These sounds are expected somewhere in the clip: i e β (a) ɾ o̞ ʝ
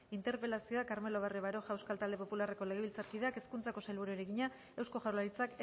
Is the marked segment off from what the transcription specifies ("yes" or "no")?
no